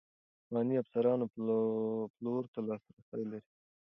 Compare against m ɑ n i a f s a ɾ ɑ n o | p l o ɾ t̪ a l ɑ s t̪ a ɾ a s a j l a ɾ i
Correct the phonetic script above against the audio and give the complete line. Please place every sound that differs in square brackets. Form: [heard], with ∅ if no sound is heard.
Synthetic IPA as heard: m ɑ n i a f s a ɾ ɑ n o | p l o ɾ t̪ a l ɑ s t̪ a ɾ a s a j l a ɾ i